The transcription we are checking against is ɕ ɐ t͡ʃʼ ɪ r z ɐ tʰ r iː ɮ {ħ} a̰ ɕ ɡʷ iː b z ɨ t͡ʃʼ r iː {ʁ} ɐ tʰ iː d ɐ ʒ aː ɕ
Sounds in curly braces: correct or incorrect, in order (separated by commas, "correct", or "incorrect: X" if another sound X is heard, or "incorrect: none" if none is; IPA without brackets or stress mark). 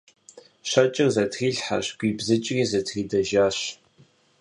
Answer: correct, incorrect: z